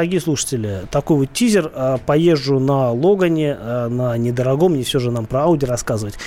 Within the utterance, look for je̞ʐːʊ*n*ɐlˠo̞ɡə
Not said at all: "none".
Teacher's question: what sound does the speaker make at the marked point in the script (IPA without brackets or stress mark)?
n